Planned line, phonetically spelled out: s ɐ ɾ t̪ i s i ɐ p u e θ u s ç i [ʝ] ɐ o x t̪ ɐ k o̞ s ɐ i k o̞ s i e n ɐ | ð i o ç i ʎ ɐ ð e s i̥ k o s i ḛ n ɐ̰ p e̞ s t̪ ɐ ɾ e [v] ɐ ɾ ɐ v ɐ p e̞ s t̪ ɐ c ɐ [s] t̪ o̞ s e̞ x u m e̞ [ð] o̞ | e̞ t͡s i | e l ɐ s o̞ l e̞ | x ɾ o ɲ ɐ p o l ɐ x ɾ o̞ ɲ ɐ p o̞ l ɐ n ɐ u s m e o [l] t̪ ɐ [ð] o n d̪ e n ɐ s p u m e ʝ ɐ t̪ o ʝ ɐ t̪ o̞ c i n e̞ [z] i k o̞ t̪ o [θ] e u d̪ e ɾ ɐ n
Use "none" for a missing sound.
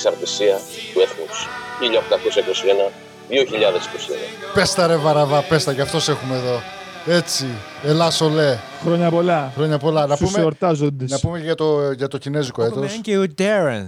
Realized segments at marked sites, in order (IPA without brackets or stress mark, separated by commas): ʎ, v, f, ð, ɾ, z, z, s